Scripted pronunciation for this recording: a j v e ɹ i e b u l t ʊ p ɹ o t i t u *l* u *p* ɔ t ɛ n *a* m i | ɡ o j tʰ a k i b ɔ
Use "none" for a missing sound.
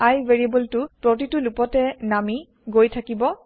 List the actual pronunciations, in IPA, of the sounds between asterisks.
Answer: l, p, a

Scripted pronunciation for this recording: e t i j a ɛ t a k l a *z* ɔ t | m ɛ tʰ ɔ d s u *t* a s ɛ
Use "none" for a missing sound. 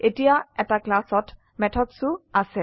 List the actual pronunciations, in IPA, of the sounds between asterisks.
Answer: s, none

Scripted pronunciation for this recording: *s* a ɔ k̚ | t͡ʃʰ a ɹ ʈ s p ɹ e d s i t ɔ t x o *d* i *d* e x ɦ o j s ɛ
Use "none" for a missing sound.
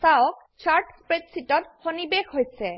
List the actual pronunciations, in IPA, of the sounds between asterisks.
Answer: s, n, b

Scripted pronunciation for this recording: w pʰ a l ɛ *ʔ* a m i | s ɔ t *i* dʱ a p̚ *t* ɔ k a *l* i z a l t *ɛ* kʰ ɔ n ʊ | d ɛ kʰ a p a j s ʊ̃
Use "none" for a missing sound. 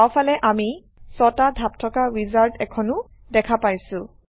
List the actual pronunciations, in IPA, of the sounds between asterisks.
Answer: ʔ, a, tʰ, ɹ, ɛ

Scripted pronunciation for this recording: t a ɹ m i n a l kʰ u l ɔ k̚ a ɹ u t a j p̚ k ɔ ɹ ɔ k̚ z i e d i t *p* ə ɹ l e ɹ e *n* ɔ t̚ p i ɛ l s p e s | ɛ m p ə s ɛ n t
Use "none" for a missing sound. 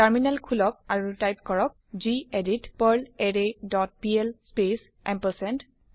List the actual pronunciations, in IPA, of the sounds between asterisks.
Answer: p, d

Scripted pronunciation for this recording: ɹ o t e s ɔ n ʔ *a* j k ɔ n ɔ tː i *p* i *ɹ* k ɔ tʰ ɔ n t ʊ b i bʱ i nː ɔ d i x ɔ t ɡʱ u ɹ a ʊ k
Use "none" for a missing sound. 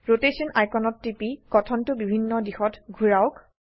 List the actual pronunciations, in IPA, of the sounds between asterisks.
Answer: a, p, none

